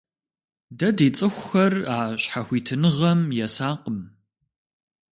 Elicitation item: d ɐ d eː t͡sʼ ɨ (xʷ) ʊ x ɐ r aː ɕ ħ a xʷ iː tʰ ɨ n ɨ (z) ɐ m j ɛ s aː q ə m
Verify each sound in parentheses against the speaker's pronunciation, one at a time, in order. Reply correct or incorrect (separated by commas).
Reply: correct, incorrect